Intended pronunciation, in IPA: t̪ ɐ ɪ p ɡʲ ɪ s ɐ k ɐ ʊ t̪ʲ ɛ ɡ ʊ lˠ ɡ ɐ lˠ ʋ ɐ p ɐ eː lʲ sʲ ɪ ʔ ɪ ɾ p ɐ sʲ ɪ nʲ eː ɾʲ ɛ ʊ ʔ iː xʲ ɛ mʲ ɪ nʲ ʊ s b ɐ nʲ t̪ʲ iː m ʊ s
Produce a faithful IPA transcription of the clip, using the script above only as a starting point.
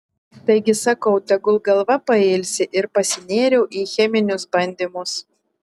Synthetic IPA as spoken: t̪ ɐ ɪ ɡʲ ɪ s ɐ k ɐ ʊ t̪ʲ ɛ ɡ ʊ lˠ ɡ ɐ lˠ ʋ ɐ p ɐ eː lʲ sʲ ɪ ʔ ɪ ɾ p ɐ sʲ ɪ nʲ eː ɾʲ ɛ ʊ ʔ iː xʲ ɛ mʲ ɪ nʲ ʊ s b ɐ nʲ d̪ʲ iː m ʊ s